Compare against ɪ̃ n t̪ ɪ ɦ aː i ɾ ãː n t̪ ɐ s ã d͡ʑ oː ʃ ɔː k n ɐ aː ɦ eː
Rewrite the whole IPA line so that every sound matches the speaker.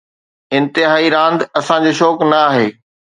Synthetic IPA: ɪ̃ n t̪ ɪ ɦ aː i ɾ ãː n d̪ ɐ s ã d͡ʑ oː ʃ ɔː k n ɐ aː ɦ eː